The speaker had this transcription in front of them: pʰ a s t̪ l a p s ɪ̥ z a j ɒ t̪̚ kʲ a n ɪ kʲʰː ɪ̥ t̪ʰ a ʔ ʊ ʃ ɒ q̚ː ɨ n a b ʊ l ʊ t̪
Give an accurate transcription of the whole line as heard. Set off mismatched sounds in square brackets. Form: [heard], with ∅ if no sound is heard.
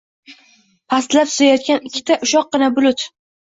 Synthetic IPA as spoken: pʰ a s t̪ l a p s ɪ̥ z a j ɒ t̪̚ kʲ a n ɪ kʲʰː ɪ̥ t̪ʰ a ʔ ʊ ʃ ɒ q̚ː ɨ n a b ʊ l ʊ t̪